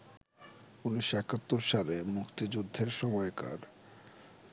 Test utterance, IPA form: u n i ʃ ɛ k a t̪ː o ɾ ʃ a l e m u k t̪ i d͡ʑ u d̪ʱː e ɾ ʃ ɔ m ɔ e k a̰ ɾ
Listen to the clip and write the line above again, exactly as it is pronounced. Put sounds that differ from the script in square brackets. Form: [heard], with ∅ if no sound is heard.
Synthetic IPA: u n i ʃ ɛ k a t̪ː o ɾ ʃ a l e m u k t̪ i d͡ʑ u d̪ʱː e ɾ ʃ ɔ m ɔ e k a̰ ɾ

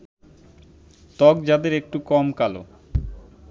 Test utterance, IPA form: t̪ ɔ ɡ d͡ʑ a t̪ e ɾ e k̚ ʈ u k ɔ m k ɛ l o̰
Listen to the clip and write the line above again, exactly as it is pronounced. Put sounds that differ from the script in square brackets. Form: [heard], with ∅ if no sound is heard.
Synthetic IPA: t̪ ɔ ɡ d͡ʑ a [d̪] e ɾ e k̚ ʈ u k ɔ m k [a] l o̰

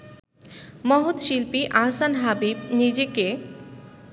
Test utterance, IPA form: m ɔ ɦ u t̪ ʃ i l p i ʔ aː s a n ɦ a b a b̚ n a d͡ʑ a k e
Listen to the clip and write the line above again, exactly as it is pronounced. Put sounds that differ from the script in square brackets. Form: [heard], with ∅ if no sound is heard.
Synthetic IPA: m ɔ ɦ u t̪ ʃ i l p i ʔ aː s a n ɦ a b [i] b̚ n [i] d͡ʑ [e] k e

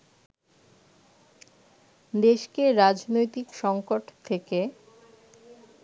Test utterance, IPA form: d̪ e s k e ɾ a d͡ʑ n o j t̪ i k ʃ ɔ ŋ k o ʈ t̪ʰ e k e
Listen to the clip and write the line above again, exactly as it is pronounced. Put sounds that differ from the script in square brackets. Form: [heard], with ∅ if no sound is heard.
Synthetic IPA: d̪ e [ʃ] k e ɾ a d͡ʑ n o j t̪ i k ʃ ɔ ŋ k o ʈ t̪ʰ e k e

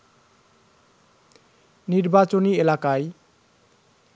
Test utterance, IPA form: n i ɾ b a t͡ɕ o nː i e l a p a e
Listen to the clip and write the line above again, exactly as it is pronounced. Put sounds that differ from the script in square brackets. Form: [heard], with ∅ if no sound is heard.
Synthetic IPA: n i ɾ b a t͡ɕ o [n] i e l a [k] a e

